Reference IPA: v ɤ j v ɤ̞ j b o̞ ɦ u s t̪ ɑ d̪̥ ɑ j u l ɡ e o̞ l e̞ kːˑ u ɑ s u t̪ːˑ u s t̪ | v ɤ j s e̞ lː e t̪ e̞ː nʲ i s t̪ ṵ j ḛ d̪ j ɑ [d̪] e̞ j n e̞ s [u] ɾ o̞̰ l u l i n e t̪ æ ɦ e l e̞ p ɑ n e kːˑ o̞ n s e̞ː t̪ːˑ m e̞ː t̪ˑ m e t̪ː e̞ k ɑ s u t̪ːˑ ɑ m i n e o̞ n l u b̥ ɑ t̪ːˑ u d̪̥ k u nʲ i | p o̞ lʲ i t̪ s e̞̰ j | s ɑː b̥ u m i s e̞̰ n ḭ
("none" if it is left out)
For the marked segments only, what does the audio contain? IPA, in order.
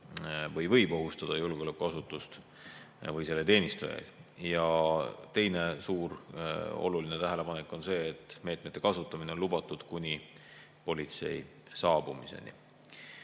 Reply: t̪, uː

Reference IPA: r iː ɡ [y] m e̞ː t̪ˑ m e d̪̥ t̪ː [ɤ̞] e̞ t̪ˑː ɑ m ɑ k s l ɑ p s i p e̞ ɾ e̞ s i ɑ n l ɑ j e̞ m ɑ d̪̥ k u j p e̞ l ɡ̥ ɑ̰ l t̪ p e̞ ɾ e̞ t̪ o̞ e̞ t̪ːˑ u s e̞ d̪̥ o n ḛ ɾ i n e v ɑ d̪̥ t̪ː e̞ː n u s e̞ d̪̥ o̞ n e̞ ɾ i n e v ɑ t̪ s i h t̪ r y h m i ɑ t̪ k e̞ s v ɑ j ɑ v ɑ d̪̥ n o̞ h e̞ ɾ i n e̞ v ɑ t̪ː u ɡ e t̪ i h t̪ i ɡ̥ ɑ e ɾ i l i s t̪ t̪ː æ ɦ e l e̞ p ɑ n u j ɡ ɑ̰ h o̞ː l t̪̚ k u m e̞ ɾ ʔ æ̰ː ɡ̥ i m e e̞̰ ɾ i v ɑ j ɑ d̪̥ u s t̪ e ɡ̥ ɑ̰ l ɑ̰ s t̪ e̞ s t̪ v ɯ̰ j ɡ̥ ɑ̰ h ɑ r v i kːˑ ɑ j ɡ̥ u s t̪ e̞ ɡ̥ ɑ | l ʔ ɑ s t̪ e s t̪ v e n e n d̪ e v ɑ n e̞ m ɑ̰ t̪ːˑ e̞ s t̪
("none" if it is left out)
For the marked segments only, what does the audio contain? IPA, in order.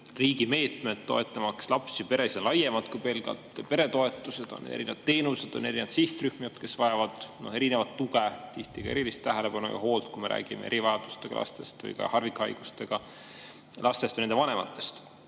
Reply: i, o̞

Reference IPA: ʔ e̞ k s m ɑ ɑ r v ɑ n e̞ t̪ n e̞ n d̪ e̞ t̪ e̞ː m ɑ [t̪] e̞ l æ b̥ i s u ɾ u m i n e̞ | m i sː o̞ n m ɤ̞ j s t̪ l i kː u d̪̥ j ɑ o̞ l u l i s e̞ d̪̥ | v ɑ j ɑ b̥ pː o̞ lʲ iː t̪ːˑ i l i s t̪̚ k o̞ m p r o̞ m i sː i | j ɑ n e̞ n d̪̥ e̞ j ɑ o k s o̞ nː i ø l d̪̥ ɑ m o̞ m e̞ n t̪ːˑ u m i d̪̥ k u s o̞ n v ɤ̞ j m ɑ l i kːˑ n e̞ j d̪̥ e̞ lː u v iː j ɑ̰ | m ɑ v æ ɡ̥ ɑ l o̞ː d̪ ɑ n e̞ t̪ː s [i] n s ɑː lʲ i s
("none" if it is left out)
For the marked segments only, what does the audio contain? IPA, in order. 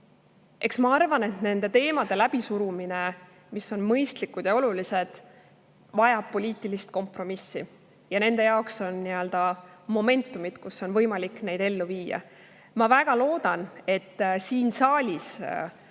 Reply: d̪, iː

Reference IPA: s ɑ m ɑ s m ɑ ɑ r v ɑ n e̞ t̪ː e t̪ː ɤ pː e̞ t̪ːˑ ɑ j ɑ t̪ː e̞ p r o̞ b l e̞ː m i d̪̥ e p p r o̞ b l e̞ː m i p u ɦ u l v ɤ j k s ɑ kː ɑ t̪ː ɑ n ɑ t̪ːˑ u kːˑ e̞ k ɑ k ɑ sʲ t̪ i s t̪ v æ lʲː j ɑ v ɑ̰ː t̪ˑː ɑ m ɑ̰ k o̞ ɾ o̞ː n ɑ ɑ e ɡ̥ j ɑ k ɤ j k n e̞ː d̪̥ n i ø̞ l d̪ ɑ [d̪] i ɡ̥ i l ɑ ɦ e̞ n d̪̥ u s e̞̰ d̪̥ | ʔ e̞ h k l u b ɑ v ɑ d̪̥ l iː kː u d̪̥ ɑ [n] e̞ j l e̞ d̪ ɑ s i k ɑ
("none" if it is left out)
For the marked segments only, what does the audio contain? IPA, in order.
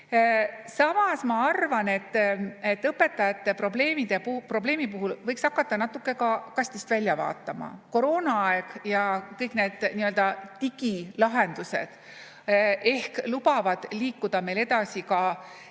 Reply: t̪, m

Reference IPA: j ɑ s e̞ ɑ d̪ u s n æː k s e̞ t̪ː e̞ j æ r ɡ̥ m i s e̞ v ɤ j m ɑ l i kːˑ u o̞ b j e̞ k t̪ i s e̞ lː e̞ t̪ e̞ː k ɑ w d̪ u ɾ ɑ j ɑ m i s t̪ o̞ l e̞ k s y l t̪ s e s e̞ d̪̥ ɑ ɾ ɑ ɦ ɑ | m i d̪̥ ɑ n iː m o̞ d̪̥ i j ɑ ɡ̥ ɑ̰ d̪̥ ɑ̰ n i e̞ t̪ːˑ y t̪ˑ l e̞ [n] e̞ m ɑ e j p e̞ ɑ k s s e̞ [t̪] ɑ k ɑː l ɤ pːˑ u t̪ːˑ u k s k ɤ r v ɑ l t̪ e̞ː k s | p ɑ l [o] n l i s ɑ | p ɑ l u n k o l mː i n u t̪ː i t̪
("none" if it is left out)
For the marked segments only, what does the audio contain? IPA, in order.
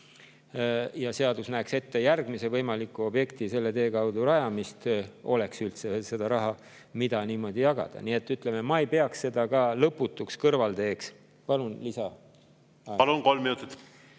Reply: m, d̪, u

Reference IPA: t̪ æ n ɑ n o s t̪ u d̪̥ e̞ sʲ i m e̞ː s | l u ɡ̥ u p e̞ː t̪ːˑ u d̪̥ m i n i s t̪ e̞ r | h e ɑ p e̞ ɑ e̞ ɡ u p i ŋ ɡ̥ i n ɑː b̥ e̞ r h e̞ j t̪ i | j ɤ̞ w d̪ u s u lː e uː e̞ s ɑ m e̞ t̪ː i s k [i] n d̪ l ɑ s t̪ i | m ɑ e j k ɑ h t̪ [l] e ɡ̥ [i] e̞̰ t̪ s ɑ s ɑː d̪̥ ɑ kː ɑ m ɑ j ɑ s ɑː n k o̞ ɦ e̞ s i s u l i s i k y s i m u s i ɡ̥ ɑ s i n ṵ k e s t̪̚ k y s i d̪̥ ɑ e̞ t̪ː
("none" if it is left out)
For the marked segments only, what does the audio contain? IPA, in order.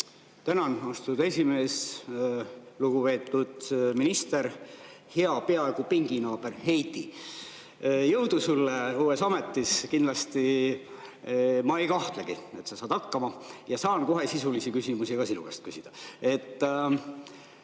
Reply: i, l, i

